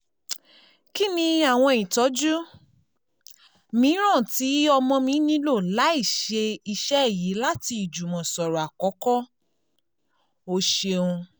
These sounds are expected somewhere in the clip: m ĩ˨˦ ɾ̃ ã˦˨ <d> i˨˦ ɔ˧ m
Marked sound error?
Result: yes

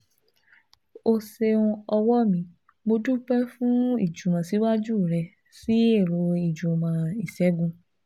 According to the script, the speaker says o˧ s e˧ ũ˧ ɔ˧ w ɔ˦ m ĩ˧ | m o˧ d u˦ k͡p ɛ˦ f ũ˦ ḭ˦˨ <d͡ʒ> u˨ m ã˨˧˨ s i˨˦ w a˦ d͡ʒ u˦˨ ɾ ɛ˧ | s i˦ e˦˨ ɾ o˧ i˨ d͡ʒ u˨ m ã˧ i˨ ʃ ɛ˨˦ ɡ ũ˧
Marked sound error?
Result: no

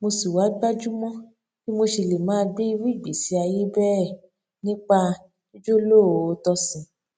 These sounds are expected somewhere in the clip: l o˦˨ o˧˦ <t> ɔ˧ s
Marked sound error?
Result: no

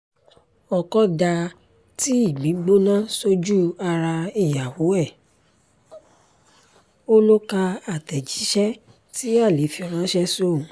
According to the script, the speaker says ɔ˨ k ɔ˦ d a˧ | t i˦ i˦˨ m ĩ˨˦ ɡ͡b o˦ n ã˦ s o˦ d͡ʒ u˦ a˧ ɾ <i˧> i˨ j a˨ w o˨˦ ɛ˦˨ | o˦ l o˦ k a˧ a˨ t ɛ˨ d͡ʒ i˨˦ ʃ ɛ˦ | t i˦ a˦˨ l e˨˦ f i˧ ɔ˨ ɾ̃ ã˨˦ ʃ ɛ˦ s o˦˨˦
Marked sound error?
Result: yes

